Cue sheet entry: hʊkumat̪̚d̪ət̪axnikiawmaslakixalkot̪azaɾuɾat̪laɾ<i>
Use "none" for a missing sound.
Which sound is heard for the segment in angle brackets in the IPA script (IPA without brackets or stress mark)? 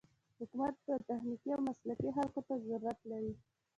i